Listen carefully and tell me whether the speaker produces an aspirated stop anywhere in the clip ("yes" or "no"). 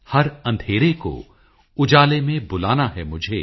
no